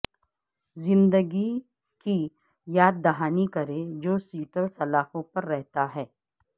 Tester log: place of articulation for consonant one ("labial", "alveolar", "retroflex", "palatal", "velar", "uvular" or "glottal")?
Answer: alveolar